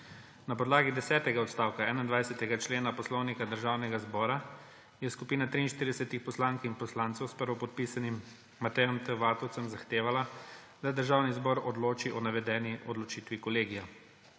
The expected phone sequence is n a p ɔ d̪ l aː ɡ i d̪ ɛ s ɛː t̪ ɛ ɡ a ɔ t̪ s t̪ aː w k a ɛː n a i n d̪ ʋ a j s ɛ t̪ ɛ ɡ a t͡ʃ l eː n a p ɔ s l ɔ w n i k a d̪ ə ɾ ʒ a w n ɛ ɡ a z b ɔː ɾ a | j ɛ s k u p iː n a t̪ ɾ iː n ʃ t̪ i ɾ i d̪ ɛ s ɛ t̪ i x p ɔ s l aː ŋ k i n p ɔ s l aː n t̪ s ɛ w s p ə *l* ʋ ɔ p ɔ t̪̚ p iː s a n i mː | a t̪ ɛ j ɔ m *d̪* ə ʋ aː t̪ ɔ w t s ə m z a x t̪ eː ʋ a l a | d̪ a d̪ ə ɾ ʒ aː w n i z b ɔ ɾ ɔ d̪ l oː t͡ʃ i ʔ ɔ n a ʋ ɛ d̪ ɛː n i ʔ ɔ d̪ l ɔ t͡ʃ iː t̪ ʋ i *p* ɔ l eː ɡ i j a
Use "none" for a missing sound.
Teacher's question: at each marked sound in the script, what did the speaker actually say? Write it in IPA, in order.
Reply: ɾ, t̪, k

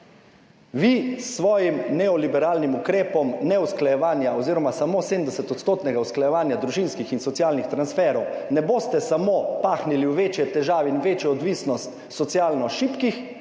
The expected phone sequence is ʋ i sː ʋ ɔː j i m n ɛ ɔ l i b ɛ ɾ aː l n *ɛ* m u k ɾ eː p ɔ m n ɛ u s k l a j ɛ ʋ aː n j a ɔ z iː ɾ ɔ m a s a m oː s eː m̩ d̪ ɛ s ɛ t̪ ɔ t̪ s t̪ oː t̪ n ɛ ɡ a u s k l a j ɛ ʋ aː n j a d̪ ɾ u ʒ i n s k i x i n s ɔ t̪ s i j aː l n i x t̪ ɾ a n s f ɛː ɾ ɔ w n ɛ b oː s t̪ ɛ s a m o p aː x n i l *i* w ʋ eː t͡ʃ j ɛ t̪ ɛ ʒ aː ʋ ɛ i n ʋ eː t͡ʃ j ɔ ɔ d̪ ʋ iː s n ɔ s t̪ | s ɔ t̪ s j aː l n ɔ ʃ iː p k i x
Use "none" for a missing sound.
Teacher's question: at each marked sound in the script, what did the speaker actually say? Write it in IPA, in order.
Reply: i, i

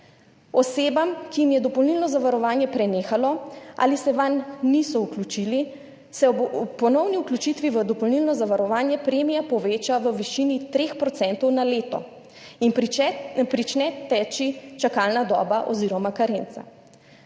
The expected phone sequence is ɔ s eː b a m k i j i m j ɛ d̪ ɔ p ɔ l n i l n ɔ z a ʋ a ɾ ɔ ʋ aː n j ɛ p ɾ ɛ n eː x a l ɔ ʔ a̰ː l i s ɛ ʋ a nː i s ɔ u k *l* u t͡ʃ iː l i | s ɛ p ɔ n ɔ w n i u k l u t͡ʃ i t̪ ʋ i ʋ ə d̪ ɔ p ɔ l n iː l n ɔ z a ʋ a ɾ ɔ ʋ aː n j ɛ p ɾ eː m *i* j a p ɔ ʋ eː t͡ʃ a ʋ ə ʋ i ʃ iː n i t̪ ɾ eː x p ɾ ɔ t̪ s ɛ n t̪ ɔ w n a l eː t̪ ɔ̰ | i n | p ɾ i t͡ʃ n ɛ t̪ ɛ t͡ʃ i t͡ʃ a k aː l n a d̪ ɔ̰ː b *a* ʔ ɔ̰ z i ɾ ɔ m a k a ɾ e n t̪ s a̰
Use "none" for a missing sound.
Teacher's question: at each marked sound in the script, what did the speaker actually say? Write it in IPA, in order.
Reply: l, i, a

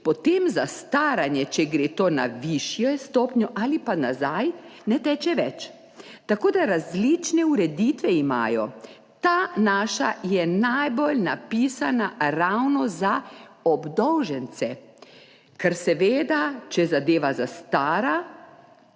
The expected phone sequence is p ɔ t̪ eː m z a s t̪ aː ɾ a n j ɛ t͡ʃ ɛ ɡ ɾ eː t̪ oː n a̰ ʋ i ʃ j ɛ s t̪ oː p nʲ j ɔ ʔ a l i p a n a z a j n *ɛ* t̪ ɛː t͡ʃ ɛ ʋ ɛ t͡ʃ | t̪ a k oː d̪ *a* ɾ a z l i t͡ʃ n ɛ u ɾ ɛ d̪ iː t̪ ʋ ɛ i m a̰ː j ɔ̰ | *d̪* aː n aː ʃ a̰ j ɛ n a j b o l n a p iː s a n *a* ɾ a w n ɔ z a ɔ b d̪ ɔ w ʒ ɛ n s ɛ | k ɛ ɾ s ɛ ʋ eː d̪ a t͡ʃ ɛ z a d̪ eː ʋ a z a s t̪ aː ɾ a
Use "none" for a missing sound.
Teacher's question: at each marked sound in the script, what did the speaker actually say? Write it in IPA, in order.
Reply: ɛ, a, t̪, a

